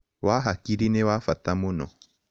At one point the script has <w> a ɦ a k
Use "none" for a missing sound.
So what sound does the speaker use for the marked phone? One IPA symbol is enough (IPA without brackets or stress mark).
w